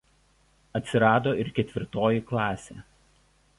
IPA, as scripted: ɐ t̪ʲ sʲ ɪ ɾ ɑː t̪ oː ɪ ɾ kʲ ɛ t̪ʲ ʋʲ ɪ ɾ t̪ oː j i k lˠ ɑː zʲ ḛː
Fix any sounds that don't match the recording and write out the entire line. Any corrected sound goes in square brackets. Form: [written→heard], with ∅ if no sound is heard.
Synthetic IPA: ɐ t̪ʲ sʲ ɪ ɾ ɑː [t̪→d̪] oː ɪ ɾ kʲ ɛ t̪ʲ ʋʲ ɪ ɾ t̪ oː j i k lˠ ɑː [zʲ→sʲ] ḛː